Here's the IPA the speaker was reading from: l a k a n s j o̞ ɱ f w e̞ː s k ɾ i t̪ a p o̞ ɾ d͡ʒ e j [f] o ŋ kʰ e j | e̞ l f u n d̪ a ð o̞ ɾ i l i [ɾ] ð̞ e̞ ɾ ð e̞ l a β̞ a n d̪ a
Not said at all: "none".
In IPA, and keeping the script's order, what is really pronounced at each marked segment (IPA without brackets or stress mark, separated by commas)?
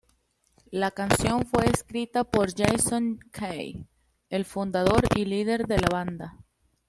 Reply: s, none